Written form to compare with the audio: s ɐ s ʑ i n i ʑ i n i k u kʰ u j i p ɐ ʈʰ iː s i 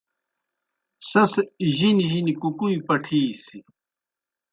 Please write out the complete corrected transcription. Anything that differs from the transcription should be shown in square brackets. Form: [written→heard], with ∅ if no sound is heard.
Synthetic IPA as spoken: s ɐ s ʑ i n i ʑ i n i k u [kʰ→k] u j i p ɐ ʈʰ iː s i